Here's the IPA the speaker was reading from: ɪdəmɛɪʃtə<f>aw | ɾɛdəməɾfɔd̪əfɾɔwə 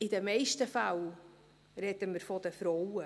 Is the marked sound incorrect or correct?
correct